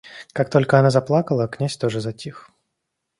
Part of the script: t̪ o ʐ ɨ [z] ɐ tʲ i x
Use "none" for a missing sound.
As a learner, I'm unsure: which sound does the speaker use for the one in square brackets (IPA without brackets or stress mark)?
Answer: z